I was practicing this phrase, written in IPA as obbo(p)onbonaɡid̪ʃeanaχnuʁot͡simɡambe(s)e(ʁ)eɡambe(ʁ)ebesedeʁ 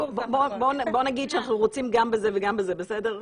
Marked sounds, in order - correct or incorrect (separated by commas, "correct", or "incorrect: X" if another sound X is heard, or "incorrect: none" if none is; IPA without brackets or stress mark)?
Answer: incorrect: b, incorrect: z, incorrect: v, incorrect: z